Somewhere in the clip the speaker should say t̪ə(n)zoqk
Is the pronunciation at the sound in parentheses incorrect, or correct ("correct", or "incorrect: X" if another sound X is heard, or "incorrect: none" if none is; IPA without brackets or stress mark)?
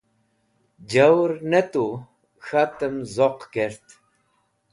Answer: incorrect: m